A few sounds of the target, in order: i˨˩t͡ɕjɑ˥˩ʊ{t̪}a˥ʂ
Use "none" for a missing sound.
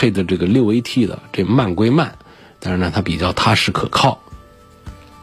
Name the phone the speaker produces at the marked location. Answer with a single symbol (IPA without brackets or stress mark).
t̪ʰ